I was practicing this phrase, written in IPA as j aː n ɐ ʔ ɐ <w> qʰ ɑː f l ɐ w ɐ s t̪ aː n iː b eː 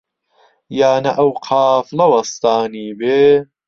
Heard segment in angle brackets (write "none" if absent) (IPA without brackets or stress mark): w